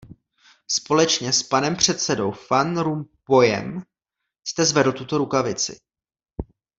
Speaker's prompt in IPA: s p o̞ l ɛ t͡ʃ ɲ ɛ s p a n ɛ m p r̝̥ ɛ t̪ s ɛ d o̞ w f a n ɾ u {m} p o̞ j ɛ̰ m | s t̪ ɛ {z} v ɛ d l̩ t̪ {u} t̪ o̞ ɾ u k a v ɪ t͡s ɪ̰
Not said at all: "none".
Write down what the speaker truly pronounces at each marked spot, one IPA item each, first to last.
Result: m, z, u

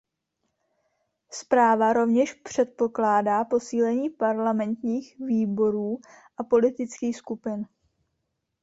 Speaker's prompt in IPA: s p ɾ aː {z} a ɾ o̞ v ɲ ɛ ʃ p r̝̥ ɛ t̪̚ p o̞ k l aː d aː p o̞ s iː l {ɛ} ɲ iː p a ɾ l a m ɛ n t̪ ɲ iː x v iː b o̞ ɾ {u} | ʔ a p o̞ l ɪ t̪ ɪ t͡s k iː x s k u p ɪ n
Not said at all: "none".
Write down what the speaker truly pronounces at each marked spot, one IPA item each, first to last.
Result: v, ɛ, uː

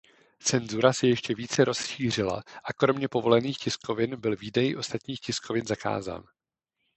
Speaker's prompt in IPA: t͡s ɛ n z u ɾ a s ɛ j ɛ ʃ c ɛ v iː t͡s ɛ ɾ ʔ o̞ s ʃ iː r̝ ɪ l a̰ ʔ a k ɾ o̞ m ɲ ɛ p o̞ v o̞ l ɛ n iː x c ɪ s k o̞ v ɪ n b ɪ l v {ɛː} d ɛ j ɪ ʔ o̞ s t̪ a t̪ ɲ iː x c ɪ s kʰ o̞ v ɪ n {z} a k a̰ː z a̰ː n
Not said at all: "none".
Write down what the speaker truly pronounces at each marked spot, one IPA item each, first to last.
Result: iː, z

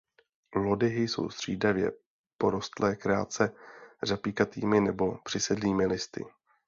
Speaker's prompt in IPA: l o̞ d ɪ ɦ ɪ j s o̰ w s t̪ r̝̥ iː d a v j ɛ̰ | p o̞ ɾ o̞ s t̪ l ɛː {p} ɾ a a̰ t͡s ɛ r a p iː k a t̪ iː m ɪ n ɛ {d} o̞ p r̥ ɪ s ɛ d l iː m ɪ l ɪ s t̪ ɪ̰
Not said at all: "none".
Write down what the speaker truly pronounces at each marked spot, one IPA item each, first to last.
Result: k, b

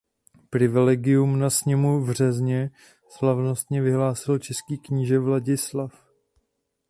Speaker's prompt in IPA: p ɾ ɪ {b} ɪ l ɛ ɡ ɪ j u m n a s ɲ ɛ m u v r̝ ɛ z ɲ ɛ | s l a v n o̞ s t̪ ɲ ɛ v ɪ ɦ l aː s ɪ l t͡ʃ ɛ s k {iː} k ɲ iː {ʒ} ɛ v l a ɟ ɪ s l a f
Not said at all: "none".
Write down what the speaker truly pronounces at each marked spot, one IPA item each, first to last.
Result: v, iː, ʒ

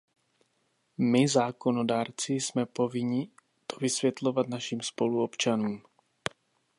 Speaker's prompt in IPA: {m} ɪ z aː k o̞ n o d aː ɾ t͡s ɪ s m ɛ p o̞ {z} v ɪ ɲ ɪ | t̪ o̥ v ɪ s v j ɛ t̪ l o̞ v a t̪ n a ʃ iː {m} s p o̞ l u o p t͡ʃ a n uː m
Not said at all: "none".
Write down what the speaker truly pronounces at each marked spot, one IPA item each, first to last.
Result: m, none, m

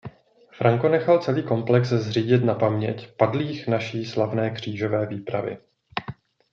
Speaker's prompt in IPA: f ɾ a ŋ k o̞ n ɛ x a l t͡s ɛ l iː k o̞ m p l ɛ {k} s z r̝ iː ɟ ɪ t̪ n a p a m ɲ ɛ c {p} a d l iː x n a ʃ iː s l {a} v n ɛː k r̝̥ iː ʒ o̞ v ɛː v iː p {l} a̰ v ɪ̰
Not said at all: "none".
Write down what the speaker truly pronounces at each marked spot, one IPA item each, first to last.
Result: k, p, a, ɾ

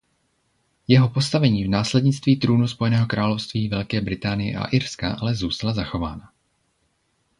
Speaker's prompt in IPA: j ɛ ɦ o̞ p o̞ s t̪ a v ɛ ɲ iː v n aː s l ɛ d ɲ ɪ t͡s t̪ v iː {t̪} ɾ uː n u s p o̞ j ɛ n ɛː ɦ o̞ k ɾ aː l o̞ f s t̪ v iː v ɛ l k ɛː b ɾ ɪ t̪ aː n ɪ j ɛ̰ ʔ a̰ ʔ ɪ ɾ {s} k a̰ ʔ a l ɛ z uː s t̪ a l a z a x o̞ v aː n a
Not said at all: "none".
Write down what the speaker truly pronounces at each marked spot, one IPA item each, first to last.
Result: t̪, s

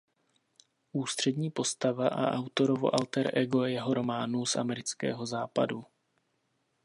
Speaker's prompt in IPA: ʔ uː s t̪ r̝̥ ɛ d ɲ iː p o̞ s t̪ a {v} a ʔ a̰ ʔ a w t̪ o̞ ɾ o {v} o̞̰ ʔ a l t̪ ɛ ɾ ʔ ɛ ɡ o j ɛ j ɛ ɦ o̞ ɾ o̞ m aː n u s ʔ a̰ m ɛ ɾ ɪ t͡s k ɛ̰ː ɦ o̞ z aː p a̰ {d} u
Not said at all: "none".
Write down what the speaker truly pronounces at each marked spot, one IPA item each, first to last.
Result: v, v, d

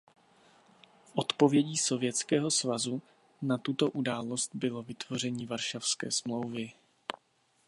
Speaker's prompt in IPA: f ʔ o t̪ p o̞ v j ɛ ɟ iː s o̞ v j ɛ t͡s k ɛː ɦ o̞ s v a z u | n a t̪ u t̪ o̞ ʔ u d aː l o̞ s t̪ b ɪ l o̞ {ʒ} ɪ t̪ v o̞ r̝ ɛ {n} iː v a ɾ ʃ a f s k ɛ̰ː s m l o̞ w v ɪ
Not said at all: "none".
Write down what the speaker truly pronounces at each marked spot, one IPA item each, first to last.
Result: v, ɲ

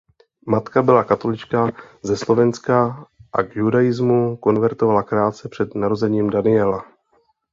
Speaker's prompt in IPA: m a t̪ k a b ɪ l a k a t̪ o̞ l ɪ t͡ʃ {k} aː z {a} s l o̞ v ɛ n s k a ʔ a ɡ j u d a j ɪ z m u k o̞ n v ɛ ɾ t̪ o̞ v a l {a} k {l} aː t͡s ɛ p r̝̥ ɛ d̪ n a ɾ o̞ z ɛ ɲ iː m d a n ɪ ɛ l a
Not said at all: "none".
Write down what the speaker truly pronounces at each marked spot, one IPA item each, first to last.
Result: k, ɛ, a, ɾ

